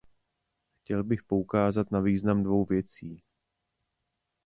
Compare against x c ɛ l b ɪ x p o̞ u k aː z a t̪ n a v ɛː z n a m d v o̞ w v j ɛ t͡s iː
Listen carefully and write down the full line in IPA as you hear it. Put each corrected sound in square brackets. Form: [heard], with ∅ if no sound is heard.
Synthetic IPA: x c ɛ l b ɪ x p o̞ u k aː z a t̪ n a v [iː] z n a m d v o̞ w v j ɛ t͡s iː